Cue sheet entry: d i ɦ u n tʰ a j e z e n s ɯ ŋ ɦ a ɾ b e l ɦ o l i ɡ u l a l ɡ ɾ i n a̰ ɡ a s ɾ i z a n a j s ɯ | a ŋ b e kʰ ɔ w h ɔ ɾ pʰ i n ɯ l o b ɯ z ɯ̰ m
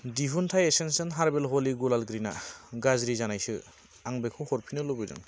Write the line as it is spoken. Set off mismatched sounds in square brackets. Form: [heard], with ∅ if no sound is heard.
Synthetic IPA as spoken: d i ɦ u n tʰ a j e [s] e n s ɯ [n] ɦ a ɾ b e l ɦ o l i ɡ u l a l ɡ ɾ i n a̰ ɡ a [z] ɾ i z a n a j s ɯ | a ŋ b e kʰ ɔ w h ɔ ɾ pʰ i n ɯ l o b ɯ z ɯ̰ [ŋ]